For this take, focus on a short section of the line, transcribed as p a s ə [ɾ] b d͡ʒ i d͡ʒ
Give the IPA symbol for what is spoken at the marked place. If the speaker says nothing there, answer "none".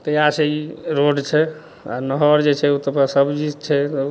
none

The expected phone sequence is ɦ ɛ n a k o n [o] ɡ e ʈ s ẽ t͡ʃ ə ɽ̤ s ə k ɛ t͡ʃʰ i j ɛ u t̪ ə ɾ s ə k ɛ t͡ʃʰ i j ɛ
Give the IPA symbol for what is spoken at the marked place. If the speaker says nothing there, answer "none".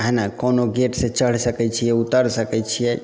o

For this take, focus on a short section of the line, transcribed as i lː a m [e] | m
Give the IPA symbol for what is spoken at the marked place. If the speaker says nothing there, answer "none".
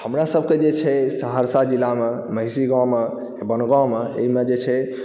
e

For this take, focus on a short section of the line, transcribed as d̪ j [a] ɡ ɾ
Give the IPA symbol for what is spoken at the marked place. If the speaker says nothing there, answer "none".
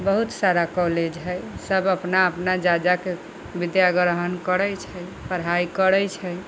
a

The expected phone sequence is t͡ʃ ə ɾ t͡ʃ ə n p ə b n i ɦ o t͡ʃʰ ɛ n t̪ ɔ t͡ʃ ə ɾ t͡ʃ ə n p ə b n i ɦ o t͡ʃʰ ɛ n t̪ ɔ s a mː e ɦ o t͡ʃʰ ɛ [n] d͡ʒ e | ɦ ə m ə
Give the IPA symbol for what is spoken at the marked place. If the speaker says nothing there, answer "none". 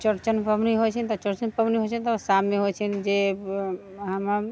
n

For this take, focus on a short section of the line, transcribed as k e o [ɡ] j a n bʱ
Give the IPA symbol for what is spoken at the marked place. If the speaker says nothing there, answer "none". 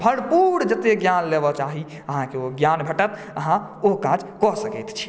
ɡ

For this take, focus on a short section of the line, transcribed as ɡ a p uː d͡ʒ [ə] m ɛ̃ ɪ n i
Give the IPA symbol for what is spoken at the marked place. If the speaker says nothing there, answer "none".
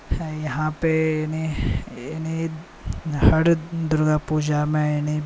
a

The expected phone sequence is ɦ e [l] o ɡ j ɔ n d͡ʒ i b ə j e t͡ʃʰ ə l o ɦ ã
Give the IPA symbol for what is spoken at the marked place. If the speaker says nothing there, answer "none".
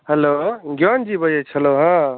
l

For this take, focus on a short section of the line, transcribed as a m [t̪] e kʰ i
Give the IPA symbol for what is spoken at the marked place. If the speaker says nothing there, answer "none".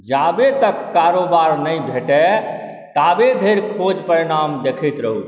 d̪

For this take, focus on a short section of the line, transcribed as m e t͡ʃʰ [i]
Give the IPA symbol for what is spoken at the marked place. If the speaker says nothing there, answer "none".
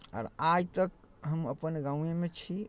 i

